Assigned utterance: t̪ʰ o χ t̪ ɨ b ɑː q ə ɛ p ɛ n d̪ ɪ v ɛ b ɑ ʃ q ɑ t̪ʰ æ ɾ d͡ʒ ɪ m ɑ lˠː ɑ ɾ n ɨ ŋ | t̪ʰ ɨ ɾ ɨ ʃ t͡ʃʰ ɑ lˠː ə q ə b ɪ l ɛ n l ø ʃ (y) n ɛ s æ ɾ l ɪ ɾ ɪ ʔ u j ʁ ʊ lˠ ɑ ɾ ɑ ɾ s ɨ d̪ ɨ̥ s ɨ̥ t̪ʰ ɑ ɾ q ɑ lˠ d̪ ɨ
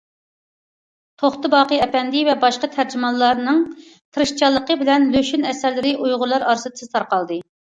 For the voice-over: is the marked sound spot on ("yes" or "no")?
yes